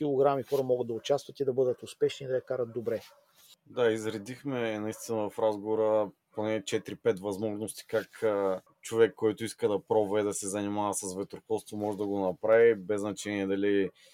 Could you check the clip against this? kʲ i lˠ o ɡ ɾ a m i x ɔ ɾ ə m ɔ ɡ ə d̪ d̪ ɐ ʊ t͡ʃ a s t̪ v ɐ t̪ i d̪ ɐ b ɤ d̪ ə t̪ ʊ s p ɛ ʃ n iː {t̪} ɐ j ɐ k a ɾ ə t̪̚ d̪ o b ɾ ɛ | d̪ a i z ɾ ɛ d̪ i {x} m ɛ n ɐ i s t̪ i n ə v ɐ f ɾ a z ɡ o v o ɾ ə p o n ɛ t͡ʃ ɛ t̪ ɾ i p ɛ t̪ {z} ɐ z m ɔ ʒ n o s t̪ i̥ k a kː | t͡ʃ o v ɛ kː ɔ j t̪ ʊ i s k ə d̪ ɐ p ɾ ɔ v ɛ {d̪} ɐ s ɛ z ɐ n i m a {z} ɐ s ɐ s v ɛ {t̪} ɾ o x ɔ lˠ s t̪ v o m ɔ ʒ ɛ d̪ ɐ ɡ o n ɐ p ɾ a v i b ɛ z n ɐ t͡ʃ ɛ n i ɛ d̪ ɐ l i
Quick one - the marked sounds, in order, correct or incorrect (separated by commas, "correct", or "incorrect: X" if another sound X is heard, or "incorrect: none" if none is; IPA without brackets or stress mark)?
incorrect: d̪, correct, incorrect: v, correct, incorrect: v, correct